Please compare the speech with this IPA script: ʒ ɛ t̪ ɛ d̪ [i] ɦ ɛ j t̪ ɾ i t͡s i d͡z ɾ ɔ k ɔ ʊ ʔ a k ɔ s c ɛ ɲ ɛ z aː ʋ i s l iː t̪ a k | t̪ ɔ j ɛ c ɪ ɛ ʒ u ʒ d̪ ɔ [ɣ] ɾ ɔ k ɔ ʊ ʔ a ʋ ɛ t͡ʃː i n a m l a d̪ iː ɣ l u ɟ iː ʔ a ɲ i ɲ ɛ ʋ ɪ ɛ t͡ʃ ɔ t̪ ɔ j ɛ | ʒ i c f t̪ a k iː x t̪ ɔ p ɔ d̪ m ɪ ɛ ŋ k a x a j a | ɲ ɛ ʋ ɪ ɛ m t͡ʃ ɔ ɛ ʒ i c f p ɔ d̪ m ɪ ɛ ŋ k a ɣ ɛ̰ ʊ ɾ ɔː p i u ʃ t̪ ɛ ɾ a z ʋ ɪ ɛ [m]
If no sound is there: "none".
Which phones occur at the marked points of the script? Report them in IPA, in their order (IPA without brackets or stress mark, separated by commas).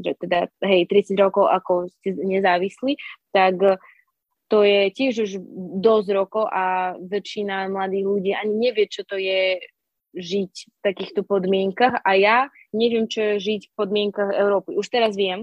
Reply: a, z, m